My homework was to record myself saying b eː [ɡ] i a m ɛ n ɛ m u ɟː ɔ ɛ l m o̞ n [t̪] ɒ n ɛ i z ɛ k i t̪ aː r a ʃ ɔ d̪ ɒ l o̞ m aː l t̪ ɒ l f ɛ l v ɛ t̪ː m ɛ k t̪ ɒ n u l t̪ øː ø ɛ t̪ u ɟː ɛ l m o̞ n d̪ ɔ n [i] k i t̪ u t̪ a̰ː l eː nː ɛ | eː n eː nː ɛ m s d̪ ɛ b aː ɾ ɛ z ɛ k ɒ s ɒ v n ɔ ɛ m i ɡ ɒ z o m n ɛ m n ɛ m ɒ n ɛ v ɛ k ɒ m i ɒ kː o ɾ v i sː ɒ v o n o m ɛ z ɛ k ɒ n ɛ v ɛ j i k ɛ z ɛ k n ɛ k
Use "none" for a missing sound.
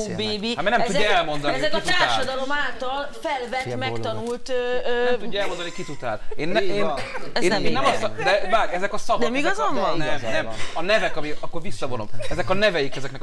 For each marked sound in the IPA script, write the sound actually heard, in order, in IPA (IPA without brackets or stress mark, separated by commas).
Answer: b, d̪, i